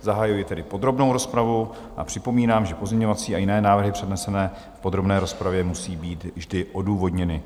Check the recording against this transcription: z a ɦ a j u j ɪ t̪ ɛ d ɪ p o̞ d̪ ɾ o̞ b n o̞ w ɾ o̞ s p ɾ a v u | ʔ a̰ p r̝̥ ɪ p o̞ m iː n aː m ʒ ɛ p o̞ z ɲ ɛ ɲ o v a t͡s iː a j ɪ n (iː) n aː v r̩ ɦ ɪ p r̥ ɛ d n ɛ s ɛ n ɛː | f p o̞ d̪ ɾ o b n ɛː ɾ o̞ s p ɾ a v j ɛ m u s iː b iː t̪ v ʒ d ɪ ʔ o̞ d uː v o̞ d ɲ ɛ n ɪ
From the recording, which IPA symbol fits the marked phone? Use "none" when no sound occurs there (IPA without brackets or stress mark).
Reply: ɛː